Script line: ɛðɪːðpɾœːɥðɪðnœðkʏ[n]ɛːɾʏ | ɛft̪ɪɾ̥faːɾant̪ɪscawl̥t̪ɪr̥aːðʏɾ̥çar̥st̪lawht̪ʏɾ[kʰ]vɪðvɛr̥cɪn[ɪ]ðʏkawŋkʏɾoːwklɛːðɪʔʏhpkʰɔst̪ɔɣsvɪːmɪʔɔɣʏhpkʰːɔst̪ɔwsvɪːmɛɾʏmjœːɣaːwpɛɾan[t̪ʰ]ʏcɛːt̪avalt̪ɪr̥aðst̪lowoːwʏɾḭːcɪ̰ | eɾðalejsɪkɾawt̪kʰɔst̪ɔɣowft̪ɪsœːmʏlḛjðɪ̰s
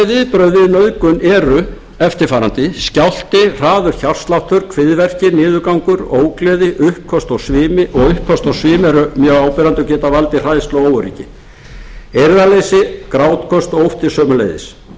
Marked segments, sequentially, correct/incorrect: correct, correct, incorrect, incorrect

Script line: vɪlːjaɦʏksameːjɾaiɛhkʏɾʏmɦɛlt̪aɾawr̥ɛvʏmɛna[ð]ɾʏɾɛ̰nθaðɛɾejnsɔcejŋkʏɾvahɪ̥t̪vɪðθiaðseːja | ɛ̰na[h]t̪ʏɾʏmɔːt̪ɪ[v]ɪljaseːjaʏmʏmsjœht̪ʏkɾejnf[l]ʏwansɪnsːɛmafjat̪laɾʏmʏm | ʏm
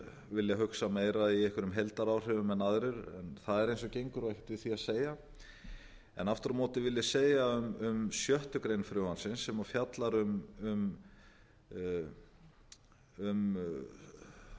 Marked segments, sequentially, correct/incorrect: correct, incorrect, correct, incorrect

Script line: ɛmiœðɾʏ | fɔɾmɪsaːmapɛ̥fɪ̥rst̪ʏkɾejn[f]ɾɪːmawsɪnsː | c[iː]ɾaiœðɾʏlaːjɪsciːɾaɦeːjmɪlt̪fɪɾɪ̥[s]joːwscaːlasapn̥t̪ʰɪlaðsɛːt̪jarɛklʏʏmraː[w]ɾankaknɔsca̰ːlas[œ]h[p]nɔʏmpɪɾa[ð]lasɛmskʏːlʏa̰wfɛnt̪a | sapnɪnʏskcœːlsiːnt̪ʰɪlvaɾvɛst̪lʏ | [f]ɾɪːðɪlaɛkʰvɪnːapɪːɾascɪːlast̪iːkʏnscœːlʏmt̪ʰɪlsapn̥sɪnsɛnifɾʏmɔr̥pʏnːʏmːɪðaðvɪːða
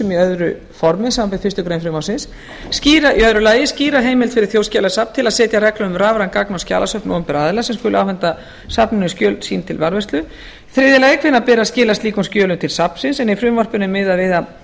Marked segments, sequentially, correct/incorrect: correct, correct, incorrect, incorrect, correct, correct, correct, incorrect

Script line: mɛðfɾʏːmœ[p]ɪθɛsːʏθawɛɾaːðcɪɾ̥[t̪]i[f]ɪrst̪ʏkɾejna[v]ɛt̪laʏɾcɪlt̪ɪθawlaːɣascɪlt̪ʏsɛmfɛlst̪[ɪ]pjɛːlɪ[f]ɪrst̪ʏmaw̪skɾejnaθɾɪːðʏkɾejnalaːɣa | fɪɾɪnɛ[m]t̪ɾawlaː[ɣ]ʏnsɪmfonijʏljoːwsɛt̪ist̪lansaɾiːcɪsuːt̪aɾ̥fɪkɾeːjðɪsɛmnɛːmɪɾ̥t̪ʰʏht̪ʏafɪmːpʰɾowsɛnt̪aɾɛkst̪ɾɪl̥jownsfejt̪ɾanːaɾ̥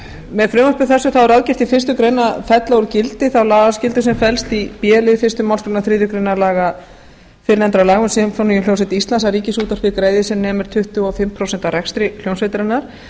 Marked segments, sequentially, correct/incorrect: correct, correct, correct, incorrect, incorrect, correct, incorrect, correct

